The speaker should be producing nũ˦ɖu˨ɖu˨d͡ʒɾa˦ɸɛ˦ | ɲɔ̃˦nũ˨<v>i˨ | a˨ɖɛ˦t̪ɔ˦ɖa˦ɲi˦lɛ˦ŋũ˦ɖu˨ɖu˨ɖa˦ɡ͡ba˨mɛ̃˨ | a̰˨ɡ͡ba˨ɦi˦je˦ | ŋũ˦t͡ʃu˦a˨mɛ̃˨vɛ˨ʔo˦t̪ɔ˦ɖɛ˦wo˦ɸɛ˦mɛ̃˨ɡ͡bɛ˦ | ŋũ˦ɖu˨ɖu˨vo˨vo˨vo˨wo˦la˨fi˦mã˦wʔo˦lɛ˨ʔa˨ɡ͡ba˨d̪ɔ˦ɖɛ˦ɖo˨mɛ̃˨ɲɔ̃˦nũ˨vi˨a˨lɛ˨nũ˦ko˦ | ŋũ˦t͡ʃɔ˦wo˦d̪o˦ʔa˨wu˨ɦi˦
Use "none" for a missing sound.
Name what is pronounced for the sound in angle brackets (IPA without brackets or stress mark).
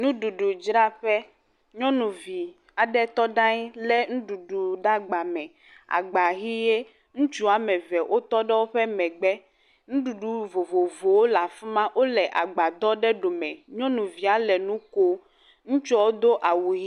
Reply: v